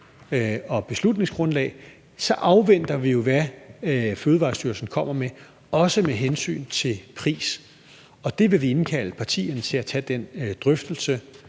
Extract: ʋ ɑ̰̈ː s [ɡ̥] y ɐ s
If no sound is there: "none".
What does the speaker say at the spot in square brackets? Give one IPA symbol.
d̥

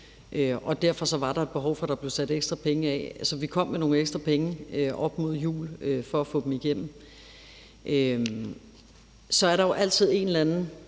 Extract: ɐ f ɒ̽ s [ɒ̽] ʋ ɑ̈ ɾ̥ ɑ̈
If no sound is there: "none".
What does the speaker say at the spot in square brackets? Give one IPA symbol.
ɒ̽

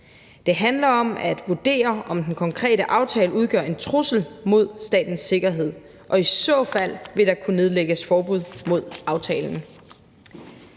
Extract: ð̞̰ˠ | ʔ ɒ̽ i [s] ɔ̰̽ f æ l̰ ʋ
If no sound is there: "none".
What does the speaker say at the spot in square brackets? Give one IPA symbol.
s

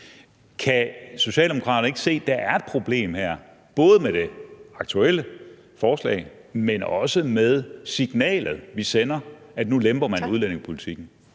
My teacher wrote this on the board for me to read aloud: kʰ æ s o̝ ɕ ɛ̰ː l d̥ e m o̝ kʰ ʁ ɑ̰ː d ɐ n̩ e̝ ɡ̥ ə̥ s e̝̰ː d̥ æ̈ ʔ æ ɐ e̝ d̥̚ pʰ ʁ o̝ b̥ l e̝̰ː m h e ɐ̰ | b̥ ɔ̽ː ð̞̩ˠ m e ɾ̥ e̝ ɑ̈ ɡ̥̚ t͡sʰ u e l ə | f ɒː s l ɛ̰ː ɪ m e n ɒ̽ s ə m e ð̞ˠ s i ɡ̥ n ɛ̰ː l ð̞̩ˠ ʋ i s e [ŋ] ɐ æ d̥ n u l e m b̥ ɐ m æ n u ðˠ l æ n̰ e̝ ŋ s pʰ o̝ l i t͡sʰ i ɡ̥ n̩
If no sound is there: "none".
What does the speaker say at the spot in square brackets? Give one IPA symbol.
n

